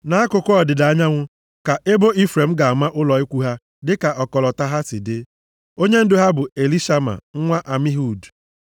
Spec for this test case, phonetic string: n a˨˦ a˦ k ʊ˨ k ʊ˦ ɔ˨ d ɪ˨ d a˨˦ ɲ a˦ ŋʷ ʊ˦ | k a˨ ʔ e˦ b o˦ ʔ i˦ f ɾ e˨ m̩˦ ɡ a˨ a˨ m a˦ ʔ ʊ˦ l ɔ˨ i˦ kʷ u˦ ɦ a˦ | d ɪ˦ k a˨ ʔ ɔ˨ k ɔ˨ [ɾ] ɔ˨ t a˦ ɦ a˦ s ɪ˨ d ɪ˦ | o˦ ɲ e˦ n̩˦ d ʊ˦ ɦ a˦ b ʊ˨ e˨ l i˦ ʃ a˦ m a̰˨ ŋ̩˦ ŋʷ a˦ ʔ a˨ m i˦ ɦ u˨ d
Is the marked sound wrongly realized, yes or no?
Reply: yes